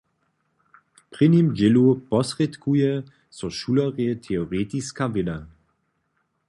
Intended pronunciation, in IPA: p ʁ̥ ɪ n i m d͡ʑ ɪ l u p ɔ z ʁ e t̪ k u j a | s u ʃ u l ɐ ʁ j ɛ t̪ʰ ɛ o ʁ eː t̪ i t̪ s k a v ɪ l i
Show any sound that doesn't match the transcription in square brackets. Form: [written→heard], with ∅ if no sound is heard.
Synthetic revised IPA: p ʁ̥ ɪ n i m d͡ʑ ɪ l u p ɔ [z→s] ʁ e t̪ k u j [a→ɛ] | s [u→ɔ] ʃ u l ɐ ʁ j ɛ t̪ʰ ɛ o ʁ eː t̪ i [t̪→∅] s k a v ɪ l [i→a]